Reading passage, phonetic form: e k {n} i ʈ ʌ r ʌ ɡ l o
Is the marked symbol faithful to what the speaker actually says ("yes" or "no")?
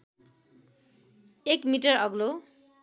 no